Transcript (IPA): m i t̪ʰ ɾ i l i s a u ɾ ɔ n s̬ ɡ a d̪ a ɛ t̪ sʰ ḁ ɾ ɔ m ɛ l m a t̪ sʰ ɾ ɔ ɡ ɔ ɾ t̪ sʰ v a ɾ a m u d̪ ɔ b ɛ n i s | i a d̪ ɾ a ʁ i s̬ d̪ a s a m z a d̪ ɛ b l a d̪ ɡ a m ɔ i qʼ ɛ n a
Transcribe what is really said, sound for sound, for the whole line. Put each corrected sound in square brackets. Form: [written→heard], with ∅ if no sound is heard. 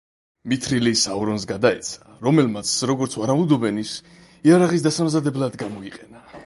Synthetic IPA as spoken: m i t̪ʰ ɾ i l i s a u ɾ ɔ n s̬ ɡ a d̪ a ɛ t̪ sʰ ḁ ɾ ɔ m ɛ l m a t̪ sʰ ɾ ɔ ɡ ɔ ɾ t̪ sʰ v a ɾ a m u d̪ ɔ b ɛ n i s | i a [d̪→∅] ɾ a ʁ i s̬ d̪ a s a m z a d̪ ɛ b l a d̪ ɡ a m ɔ i qʼ ɛ n a